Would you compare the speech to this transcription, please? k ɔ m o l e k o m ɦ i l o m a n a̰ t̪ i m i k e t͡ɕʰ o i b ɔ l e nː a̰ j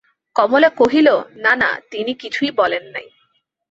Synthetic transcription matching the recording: k ɔ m o l e k o ɦ i l o n a n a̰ t̪ i n i k i t͡ɕʰ u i b ɔ l e nː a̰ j